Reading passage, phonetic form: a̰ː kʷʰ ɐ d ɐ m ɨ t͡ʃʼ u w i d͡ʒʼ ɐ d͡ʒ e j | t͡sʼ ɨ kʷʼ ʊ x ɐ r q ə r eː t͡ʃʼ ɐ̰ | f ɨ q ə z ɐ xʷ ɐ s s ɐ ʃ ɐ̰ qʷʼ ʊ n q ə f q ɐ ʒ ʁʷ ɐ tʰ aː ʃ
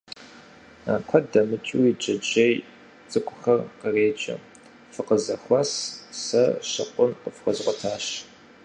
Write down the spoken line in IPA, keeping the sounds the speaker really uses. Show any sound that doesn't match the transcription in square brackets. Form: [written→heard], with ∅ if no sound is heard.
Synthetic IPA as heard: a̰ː kʷʰ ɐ d ɐ m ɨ t͡ʃʼ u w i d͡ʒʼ ɐ d͡ʒ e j | t͡sʼ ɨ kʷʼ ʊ x ɐ r q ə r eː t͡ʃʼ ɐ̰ | f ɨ q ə z ɐ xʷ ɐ s s ɐ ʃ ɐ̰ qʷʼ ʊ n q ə f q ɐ [ʒ→z] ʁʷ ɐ tʰ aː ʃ